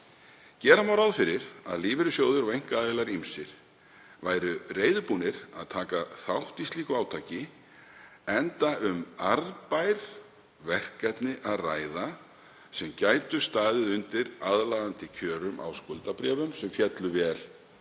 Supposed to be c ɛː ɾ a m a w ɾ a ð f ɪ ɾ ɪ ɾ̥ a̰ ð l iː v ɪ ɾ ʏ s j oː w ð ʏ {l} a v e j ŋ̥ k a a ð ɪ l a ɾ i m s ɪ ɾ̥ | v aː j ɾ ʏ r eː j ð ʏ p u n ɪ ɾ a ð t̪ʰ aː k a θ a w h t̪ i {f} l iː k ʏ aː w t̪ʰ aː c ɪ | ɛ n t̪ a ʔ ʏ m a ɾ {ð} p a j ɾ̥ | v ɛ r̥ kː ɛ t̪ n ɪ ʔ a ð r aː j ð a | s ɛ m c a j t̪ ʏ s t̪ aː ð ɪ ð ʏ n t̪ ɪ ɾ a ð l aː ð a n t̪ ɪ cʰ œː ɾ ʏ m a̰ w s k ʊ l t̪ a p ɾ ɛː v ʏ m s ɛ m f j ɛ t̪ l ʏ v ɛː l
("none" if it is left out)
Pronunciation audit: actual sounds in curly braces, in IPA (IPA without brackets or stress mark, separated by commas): ɾ, s, ð